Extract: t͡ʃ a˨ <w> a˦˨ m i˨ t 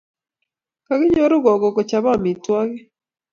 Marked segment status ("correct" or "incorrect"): incorrect